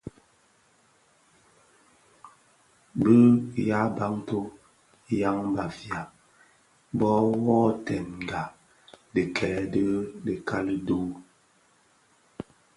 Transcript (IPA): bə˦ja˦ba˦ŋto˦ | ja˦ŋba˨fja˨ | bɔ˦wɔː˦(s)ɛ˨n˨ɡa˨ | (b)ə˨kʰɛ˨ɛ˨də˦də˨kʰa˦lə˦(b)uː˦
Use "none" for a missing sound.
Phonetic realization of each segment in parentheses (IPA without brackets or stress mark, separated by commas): t, d, d